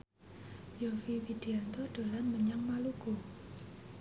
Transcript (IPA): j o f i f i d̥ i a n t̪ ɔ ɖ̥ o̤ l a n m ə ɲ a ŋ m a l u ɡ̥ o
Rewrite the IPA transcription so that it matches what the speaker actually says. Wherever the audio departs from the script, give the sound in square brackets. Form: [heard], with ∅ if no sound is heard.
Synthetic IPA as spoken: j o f i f i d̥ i a n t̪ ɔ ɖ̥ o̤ l a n m ə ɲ a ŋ m a l u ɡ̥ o